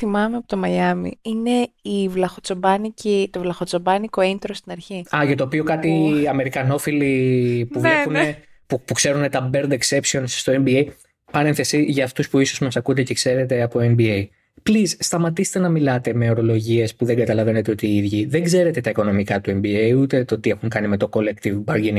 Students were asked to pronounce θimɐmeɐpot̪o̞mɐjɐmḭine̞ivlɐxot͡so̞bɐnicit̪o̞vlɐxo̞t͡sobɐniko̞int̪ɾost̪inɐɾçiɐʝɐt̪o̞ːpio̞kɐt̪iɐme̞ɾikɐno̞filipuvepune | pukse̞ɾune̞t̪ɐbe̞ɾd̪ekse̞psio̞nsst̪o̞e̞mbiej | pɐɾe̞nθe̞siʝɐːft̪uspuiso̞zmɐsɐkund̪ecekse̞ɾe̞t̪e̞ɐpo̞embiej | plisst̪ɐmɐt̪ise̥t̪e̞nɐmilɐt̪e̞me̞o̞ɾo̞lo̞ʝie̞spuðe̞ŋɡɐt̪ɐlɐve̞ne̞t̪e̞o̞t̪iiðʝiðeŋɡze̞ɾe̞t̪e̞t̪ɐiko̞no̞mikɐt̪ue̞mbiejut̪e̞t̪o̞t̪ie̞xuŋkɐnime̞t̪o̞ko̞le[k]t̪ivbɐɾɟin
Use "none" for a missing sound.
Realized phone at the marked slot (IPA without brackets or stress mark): k